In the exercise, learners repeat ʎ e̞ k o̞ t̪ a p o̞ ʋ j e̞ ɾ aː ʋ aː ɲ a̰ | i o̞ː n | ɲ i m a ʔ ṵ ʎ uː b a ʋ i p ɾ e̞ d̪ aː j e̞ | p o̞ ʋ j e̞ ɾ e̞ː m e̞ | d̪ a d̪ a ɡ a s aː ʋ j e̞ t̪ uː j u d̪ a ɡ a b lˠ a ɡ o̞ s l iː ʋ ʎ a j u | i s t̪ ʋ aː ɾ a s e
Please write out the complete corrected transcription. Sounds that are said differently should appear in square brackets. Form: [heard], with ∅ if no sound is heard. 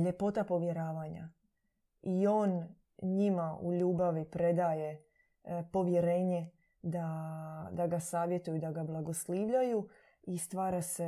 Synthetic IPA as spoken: ʎ e̞ [p] o̞ t̪ a p o̞ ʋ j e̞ ɾ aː ʋ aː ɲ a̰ | i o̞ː n | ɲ i m a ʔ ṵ ʎ uː b a ʋ i p ɾ e̞ d̪ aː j e̞ | p o̞ ʋ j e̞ ɾ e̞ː [ɲ] e̞ | d̪ a d̪ a ɡ a s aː ʋ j e̞ t̪ [u] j u d̪ a ɡ a b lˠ a ɡ o̞ s l iː ʋ ʎ a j u | i s t̪ ʋ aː ɾ a s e